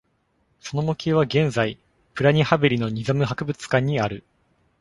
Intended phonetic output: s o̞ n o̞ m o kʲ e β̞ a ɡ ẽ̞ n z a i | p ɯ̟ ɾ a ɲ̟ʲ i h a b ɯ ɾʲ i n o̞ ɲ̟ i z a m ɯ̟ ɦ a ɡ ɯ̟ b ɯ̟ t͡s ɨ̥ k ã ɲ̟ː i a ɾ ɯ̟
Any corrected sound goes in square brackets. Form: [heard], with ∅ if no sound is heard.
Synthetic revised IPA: s o̞ n o̞ m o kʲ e β̞ a ɡ ẽ̞ n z a i | p ɯ̟ ɾ a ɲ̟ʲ i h a b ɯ ɾʲ i n o̞ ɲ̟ i z a m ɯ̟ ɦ a [k] ɯ̟ b ɯ̟ t͡s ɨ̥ k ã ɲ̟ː i a ɾ ɯ̟